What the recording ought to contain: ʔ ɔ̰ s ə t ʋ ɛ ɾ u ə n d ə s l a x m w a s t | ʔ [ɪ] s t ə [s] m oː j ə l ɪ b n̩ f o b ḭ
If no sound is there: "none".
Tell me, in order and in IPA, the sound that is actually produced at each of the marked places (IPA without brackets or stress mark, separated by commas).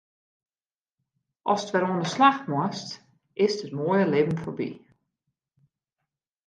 ɪ, t